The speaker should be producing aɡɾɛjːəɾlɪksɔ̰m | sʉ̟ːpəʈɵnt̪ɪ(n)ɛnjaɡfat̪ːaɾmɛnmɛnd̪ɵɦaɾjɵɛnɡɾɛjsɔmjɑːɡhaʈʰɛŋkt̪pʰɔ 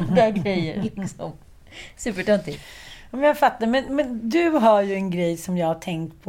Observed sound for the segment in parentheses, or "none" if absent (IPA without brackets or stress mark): m